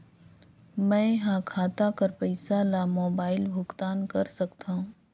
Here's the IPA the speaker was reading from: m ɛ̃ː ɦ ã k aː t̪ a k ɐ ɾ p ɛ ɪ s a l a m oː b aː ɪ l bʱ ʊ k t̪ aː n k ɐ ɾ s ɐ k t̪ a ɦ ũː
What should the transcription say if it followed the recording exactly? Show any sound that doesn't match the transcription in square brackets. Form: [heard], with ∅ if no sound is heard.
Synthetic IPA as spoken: m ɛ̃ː ɦ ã [kʰ] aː t̪ a k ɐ ɾ p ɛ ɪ s a l a m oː b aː ɪ l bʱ ʊ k t̪ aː n k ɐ ɾ s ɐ k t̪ a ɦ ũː